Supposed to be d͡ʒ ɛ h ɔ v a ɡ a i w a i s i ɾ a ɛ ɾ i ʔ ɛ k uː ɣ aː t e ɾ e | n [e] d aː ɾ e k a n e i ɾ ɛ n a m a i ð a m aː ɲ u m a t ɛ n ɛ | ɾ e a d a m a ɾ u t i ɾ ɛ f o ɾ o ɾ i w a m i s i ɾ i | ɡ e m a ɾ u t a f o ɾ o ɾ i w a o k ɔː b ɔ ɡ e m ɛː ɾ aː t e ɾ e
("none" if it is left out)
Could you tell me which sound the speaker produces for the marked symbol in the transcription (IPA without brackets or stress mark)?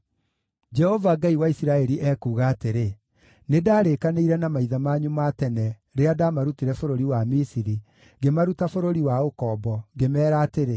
e